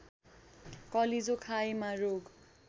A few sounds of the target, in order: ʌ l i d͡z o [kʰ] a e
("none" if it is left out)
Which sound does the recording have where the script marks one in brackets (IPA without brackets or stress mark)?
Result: kʰ